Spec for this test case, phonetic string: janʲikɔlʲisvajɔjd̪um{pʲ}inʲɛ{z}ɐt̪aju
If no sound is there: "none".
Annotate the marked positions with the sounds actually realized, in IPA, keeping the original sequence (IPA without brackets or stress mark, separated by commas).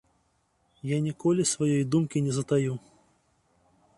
kʲ, z